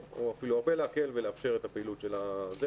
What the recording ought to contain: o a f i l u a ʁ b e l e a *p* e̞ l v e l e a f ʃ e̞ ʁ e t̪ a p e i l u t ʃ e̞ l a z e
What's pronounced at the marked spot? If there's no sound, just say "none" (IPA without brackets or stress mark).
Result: k